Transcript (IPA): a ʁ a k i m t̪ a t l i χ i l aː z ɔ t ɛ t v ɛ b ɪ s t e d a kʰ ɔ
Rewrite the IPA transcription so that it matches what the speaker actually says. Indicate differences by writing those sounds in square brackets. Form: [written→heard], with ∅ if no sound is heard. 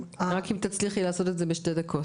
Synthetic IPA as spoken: a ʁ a k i m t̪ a [t→t͡s] l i χ i l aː [z→s] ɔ t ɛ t [v→z] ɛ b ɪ [s→ʃ] t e d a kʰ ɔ